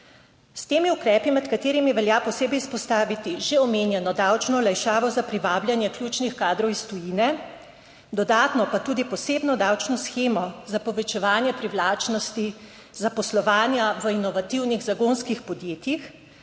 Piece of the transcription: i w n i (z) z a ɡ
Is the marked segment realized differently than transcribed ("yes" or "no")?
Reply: yes